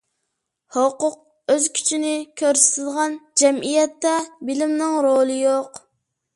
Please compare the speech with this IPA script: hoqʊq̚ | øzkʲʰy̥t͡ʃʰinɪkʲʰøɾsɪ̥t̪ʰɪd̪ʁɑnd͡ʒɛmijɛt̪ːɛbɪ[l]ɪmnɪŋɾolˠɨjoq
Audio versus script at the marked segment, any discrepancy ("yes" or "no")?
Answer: no